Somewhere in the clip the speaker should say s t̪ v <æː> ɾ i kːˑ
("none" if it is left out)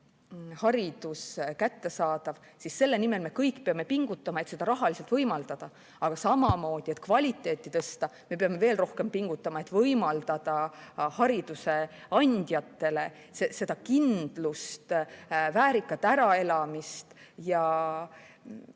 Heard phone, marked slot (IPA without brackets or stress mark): æː